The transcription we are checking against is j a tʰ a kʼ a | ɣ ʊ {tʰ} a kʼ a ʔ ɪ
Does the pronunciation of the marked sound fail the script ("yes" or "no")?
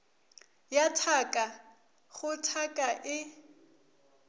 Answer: no